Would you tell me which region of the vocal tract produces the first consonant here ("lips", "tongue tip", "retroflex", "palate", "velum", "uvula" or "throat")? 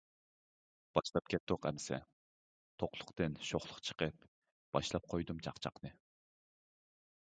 lips